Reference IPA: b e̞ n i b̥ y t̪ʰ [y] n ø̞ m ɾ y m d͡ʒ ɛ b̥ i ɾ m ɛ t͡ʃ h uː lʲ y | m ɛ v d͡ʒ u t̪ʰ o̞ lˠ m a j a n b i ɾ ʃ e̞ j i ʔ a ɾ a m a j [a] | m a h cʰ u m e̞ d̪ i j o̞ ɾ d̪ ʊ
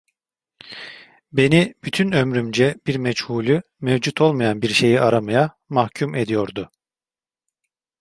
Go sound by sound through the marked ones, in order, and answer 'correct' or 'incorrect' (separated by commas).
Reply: correct, correct